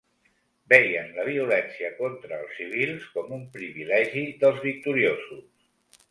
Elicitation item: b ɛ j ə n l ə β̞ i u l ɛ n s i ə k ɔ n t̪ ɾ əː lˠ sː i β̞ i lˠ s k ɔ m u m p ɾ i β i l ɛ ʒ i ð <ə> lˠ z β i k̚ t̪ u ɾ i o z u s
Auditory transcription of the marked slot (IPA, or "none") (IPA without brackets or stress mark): ə